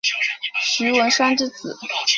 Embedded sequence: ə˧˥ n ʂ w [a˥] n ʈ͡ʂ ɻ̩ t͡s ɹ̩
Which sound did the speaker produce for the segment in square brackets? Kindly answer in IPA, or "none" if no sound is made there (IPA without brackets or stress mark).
a˥